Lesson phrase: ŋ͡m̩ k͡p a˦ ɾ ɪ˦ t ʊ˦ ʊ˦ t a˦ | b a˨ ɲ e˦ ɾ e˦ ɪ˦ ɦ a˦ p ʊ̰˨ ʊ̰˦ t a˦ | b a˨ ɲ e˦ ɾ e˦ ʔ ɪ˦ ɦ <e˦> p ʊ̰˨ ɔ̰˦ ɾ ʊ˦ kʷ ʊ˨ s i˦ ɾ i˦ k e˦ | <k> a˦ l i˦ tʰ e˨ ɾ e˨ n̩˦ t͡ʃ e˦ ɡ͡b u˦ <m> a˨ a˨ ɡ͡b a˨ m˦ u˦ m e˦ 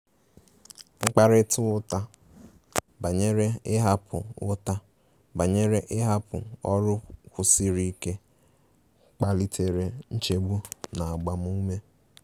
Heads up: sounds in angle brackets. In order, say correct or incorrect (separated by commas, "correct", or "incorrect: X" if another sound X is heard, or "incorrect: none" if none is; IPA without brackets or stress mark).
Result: incorrect: a˦, incorrect: k͡p, incorrect: n